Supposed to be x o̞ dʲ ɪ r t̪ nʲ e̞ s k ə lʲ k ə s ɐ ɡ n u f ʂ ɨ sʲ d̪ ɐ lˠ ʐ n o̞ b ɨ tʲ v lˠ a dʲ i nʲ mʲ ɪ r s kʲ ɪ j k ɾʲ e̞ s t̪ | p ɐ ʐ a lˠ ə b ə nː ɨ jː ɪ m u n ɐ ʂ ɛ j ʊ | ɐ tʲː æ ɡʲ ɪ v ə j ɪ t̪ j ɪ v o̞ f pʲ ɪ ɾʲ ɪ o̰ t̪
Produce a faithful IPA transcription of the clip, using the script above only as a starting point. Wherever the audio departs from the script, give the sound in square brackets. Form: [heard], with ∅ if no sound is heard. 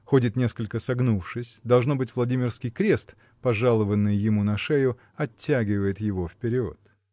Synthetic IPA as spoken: x o̞ dʲ ɪ [∅] t̪ nʲ e̞ s k ə lʲ k ə s ɐ ɡ n u f ʂ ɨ sʲ d̪ ɐ lˠ ʐ n o̞ b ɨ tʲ v lˠ [ɐ] dʲ i [∅] mʲ ɪ r s kʲ ɪ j k ɾʲ e̞ s t̪ | p ɐ ʐ a lˠ ə [v] ə nː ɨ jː ɪ m u n ɐ ʂ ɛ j ʊ | ɐ tʲː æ ɡʲ ɪ v ə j ɪ t̪ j ɪ v o̞ f pʲ ɪ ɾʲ ɪ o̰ t̪